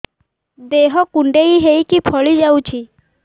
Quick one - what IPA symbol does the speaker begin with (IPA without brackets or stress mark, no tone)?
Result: d̪